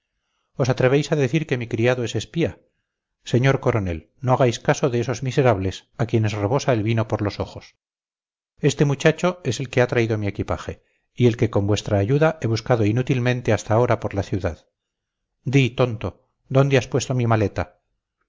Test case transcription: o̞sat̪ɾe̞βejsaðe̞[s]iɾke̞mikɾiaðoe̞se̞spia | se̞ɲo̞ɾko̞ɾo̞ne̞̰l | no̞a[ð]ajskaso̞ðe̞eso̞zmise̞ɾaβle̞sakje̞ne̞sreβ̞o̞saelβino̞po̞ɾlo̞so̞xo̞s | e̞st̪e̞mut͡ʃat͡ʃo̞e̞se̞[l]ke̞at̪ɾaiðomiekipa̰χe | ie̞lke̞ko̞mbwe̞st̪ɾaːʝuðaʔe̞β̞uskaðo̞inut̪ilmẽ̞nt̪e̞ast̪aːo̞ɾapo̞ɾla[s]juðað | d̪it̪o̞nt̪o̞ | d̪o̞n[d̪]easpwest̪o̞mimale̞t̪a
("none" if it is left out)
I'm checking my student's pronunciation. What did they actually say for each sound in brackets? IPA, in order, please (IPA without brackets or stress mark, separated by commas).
θ, ɣ, l, θ, d̪